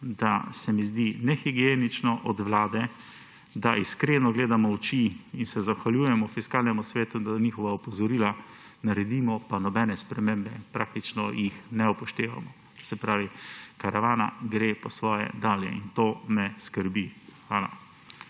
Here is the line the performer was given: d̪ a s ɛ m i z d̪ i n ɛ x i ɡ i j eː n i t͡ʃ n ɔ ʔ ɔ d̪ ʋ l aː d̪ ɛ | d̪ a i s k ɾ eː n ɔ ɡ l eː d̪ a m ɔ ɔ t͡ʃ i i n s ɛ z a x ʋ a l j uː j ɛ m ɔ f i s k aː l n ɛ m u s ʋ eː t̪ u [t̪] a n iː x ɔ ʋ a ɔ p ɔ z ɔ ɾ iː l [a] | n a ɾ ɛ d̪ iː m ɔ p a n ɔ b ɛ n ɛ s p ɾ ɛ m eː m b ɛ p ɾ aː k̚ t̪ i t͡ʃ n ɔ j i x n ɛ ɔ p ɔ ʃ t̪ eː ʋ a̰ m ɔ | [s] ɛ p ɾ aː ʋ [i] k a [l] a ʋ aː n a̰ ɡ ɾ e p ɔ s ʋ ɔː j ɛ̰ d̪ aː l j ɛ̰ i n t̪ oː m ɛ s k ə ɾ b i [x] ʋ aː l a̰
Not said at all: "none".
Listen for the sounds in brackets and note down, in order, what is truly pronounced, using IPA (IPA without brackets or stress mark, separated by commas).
d̪, a, s, i, ɾ, x